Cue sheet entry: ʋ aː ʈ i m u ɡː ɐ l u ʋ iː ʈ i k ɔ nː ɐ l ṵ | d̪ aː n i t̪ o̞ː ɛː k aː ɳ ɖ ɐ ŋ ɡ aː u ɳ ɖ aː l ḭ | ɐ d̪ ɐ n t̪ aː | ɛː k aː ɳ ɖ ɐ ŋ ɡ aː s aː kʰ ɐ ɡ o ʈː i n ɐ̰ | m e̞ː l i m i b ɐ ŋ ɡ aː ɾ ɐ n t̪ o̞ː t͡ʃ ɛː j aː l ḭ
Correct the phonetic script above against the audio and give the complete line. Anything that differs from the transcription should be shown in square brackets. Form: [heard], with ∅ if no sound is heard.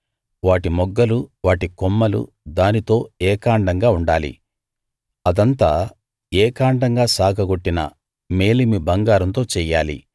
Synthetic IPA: ʋ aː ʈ i m [ɔ] ɡː ɐ l u ʋ [aː] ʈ i k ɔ [mː] ɐ l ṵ | d̪ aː n i t̪ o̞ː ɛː k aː ɳ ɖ ɐ ŋ ɡ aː u ɳ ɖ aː l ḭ | ɐ d̪ ɐ n t̪ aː | ɛː k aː ɳ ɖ ɐ ŋ ɡ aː s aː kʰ ɐ ɡ o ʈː i n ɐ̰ | m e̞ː l i m i b ɐ ŋ ɡ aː ɾ ɐ n t̪ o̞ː t͡ʃ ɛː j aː l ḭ